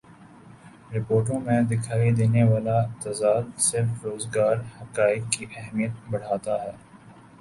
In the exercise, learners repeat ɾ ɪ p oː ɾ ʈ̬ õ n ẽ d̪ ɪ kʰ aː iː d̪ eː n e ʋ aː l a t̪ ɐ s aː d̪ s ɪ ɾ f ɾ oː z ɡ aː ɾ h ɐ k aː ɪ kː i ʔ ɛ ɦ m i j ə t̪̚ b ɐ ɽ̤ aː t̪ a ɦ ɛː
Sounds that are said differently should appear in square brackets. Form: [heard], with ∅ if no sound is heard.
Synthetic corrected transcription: ɾ ɪ p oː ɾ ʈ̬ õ [m] ẽ d̪ ɪ kʰ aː [i] d̪ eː n e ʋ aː l a t̪ ɐ [z] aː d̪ s ɪ ɾ f ɾ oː z ɡ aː ɾ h ɐ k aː ɪ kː i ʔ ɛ ɦ m i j ə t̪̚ b ɐ ɽ̤ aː t̪ a ɦ ɛː